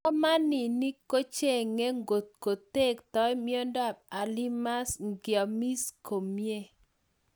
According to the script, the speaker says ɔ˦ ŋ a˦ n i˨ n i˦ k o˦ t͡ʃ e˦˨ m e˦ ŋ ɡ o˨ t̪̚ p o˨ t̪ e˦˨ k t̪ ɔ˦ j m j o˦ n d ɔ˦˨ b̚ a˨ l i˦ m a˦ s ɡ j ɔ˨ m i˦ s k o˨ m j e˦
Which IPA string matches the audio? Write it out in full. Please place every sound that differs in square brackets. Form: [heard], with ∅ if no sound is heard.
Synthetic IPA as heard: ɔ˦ [m] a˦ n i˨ n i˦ k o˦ t͡ʃ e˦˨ [ŋ] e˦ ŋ ɡ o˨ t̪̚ [k] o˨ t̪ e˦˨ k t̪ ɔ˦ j m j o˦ n d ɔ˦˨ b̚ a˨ l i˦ m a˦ s ɡ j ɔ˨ m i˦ s k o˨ m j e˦